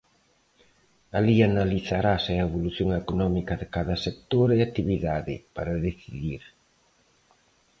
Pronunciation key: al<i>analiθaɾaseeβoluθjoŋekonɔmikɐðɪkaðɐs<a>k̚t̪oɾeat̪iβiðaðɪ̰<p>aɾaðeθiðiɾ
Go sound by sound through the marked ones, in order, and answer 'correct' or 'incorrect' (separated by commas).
correct, incorrect, correct